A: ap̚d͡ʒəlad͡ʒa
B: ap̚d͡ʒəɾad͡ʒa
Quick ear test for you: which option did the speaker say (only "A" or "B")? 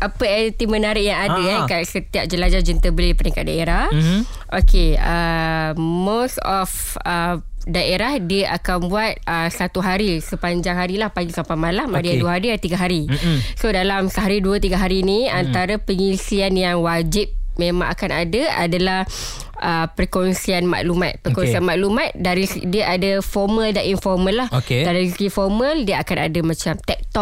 A